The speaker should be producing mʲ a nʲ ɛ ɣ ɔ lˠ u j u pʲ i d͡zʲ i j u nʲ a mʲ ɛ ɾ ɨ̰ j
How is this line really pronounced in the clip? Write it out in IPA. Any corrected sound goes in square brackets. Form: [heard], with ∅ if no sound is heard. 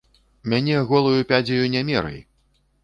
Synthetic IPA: mʲ a nʲ ɛ ɣ ɔ lˠ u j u pʲ [a] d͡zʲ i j u nʲ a mʲ ɛ ɾ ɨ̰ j